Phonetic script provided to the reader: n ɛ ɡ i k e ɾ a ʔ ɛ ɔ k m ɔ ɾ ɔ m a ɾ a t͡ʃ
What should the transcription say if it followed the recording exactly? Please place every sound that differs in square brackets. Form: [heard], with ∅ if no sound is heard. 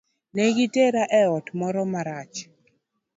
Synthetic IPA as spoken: n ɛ ɡ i [t] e ɾ a ʔ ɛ ɔ [t] m ɔ ɾ ɔ m a ɾ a t͡ʃ